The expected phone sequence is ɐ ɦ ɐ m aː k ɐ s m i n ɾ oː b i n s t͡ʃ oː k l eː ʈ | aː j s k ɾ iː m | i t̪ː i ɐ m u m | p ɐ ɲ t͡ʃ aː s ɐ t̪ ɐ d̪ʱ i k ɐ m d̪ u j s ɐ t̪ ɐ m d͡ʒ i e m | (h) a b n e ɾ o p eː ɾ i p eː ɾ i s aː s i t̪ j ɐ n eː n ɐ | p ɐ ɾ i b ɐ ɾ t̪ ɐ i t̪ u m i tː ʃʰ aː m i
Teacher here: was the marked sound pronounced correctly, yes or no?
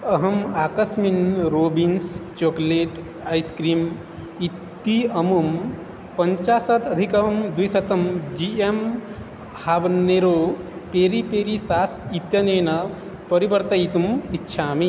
yes